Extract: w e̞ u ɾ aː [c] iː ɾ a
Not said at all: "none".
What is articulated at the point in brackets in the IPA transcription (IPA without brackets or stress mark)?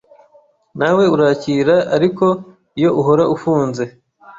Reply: c